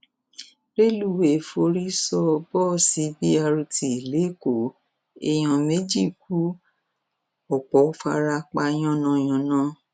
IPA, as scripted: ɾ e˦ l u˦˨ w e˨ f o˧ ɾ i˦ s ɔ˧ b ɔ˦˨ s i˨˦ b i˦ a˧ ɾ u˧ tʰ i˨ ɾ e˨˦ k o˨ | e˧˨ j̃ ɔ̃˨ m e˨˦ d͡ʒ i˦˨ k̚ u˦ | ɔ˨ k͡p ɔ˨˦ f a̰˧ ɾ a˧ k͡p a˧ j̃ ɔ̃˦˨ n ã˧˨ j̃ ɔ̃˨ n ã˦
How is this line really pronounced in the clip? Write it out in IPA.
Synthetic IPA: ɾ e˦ l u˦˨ w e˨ f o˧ ɾ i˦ s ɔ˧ b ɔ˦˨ s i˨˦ b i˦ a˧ ɾ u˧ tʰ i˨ l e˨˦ k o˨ | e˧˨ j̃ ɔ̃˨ m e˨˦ d͡ʒ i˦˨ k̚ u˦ | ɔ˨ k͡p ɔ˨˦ f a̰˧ ɾ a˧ k͡p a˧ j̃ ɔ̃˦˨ n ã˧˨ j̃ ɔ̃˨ n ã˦